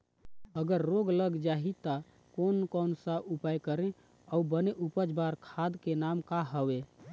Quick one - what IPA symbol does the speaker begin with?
ə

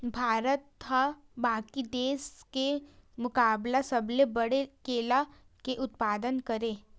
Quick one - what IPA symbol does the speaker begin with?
bʱ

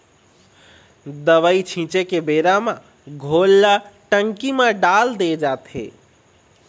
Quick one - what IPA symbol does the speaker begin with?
d̪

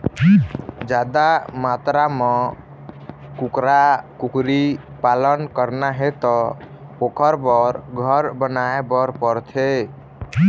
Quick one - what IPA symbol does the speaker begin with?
d͡ʒ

